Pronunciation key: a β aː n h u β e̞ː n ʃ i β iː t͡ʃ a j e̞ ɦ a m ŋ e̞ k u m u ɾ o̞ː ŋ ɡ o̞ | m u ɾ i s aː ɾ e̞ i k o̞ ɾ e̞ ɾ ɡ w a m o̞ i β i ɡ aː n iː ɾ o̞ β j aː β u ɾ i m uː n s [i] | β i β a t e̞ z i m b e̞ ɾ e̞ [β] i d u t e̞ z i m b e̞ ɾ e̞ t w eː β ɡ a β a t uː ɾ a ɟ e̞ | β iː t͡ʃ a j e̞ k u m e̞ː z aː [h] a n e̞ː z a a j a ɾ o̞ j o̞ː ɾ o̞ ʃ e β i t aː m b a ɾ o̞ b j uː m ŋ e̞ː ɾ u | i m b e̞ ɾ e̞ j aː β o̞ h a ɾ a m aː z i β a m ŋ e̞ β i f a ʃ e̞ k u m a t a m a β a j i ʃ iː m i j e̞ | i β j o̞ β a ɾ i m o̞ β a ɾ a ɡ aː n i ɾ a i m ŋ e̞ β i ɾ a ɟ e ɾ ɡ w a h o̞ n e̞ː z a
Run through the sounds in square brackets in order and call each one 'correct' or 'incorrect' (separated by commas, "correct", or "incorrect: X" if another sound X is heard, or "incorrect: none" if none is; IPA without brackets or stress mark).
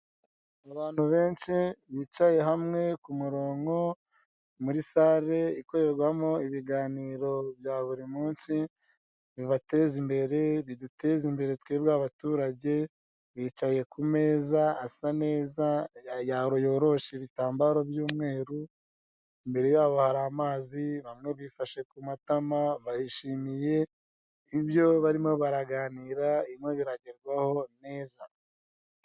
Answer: correct, correct, incorrect: s